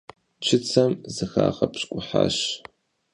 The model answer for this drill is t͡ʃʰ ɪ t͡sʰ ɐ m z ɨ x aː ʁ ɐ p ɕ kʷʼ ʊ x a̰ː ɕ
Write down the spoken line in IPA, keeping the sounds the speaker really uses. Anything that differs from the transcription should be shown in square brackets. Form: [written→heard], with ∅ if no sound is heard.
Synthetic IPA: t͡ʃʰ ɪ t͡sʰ ɐ m z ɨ x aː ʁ ɐ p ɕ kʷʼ ʊ [x→ħ] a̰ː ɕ